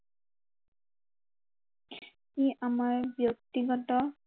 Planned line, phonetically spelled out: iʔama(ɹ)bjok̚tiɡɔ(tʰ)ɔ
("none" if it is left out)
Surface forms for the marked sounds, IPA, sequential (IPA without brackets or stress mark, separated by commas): ɹ, t